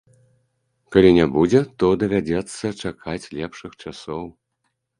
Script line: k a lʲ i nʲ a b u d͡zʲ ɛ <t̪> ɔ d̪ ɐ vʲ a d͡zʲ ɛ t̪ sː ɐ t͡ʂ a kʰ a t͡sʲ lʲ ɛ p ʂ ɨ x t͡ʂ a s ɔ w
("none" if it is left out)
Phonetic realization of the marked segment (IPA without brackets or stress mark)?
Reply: t̪